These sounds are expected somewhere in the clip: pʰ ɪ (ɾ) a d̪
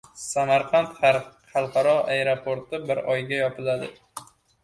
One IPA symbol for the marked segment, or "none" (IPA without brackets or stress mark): l